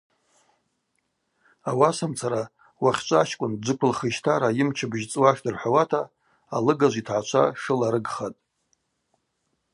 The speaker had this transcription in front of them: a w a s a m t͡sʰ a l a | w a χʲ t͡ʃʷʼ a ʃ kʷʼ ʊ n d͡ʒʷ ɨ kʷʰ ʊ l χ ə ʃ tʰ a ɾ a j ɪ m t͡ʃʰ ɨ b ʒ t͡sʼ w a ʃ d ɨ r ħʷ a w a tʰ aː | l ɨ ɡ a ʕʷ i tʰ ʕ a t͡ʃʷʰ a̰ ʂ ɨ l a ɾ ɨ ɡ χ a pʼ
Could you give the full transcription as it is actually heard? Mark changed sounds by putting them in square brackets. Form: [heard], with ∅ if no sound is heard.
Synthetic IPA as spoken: a w a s a m t͡sʰ a [ɾ] a | w a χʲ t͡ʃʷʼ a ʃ kʷʼ ʊ n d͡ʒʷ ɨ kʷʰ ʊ l χ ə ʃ tʰ a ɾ a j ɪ m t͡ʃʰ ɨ b ʒ t͡sʼ w a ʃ d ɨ r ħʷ a w a tʰ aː | l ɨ ɡ a [ʒʷ] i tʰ ʕ a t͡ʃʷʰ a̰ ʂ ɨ l a ɾ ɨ ɡ χ a [tʼ]